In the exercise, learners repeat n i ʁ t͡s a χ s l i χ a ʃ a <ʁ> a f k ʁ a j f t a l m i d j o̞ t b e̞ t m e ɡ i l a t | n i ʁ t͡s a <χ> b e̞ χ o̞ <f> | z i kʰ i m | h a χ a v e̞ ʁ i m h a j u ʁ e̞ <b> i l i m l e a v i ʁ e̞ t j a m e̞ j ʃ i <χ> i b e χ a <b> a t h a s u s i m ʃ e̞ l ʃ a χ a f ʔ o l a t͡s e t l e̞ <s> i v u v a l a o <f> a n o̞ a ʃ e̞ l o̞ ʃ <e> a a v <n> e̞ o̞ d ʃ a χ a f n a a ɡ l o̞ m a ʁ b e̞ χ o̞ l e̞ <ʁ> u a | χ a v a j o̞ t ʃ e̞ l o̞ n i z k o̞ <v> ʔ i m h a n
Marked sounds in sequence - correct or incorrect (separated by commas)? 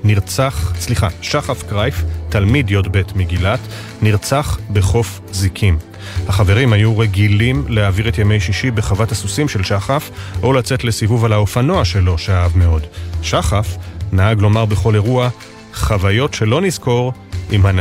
incorrect, correct, correct, incorrect, incorrect, incorrect, correct, correct, correct, incorrect, correct, incorrect